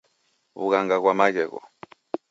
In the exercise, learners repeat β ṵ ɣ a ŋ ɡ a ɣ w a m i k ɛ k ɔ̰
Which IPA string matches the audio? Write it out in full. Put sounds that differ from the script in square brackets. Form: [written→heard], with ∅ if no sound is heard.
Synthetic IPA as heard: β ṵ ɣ a ŋ ɡ a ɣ w a m [i→a] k ɛ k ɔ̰